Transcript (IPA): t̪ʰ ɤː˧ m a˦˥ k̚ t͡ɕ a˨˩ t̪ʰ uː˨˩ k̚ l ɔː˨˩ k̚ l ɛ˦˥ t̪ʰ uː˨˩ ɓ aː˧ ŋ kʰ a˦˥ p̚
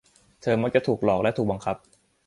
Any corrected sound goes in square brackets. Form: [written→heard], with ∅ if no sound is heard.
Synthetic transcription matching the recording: t̪ʰ ɤː˧ m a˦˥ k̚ t͡ɕ a˨˩ t̪ʰ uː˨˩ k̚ l ɔː˨˩ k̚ l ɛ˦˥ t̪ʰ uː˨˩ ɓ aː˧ ŋ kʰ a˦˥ p̚